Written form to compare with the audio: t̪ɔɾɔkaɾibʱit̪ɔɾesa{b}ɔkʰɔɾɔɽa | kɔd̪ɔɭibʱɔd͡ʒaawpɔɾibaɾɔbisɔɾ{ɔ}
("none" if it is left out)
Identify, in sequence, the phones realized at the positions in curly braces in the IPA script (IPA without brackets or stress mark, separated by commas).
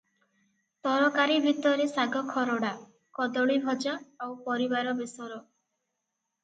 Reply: ɡ, ɔ